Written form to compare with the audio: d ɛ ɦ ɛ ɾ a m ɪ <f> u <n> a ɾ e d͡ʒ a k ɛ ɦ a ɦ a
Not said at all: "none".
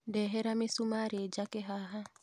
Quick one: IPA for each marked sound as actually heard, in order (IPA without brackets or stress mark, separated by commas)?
s, m